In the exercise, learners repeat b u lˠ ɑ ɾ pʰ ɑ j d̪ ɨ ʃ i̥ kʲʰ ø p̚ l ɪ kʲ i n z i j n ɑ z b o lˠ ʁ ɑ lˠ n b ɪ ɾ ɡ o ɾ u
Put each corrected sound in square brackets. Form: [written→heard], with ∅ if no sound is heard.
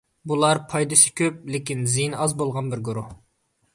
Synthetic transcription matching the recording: b u lˠ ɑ ɾ pʰ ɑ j d̪ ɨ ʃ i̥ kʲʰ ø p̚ l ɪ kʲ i n z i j n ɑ z b o lˠ ʁ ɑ [lˠ→∅] n b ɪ ɾ ɡ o ɾ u

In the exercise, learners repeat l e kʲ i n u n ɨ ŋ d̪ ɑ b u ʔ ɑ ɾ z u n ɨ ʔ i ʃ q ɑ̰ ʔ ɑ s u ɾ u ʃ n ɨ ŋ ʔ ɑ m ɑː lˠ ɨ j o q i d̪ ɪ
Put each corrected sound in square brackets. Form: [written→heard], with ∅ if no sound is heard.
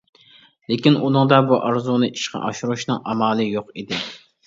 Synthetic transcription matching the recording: l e kʲ i n u n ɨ ŋ d̪ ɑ b u ʔ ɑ ɾ z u n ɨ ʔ i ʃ q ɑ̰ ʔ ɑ [s→ʃ] u ɾ u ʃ n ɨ ŋ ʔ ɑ m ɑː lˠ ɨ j o q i d̪ ɪ

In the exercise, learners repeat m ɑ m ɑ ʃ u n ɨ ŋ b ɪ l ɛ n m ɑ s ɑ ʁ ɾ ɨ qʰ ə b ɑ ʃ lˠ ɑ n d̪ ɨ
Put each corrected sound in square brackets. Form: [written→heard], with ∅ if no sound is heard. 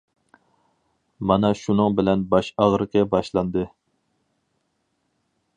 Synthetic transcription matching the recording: m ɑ [m→n] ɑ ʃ u n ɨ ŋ b ɪ l ɛ n [m→b] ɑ [s→ʃ] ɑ ʁ ɾ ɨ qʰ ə b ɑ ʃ lˠ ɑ n d̪ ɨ

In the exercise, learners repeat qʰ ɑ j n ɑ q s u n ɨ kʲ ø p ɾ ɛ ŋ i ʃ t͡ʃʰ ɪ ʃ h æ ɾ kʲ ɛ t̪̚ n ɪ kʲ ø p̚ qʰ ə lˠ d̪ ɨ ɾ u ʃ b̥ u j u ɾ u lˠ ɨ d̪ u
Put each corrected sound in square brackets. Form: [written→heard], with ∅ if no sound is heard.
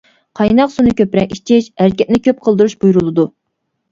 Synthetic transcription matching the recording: qʰ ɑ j n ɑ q s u n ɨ kʲ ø p ɾ ɛ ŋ i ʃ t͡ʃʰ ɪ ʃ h æ ɾ kʲ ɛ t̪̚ n ɪ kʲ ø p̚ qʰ ə lˠ d̪ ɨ ɾ u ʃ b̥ u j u ɾ u lˠ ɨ d̪ u

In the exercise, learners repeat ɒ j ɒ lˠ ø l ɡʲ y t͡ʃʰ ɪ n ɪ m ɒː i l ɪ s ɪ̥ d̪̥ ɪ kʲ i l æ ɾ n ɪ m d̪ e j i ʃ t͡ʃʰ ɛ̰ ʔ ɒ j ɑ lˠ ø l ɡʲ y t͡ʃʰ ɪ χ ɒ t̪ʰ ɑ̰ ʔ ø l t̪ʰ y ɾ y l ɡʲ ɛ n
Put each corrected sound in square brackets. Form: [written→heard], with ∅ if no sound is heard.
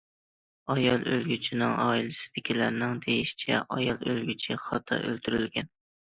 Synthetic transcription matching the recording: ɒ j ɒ lˠ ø l ɡʲ y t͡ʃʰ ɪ n ɪ [m→ŋ] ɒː i l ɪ s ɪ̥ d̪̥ ɪ kʲ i l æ ɾ n ɪ [m→ŋ] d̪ e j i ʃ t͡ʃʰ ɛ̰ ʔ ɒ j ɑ lˠ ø l ɡʲ y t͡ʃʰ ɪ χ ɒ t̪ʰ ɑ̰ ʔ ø l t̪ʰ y ɾ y l ɡʲ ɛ n

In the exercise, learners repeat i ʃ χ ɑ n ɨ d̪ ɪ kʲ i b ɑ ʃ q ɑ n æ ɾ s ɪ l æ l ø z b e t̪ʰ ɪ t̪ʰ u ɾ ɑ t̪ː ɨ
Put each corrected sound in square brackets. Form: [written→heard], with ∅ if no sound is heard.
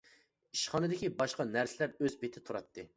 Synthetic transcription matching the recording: i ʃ χ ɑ n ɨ d̪ ɪ kʲ i b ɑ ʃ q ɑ n æ ɾ s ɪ l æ [l→ɾ] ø z b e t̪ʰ ɪ t̪ʰ u ɾ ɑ t̪ː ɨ

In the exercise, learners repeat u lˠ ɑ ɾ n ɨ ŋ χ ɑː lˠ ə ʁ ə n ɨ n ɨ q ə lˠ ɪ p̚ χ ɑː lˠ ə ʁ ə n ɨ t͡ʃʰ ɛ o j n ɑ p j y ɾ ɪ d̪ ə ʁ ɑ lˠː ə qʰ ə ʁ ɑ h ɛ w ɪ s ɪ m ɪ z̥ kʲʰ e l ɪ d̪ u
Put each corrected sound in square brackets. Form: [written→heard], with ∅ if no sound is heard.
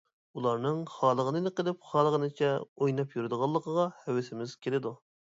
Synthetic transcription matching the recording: u lˠ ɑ ɾ n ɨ ŋ χ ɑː lˠ ə ʁ ə n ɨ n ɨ q ə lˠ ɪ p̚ χ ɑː lˠ ə ʁ ə n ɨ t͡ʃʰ ɛ o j n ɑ p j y ɾ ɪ d̪ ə ʁ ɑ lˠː ə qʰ ə ʁ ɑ h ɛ w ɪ s ɪ m ɪ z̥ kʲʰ e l ɪ d̪ u

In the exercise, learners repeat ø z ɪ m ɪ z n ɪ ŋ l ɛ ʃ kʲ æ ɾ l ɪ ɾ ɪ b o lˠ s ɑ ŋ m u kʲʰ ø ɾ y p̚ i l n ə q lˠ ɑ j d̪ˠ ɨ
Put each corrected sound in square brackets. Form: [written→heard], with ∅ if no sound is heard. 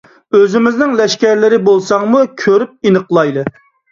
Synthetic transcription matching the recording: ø z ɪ m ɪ z n ɪ ŋ l ɛ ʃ kʲ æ ɾ l ɪ ɾ ɪ b o lˠ s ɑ ŋ m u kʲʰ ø ɾ y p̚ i [l→∅] n ə q lˠ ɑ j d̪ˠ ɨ

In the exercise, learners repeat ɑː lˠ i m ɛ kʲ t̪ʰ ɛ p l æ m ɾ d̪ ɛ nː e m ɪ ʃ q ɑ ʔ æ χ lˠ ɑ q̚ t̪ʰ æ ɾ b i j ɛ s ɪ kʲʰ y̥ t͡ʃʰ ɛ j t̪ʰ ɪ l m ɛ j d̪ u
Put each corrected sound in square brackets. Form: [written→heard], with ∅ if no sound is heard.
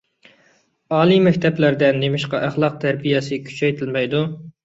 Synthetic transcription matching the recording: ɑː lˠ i m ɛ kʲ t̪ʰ ɛ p l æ [m→∅] ɾ d̪ ɛ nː e m ɪ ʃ q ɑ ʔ æ χ lˠ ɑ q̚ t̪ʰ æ ɾ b i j ɛ s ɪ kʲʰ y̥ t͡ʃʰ ɛ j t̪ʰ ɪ l m ɛ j d̪ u

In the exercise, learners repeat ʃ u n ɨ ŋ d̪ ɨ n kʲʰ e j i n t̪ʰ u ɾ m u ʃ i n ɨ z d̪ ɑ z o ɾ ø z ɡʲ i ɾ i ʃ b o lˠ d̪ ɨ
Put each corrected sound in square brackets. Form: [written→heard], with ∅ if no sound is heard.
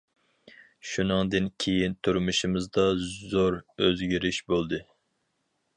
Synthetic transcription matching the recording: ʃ u n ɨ ŋ d̪ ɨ n kʲʰ e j i n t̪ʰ u ɾ m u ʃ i [n→m] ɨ z d̪ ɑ z o ɾ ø z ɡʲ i ɾ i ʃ b o lˠ d̪ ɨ

